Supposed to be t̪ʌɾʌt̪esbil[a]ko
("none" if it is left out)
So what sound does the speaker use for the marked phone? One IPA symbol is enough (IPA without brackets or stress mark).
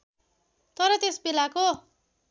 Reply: a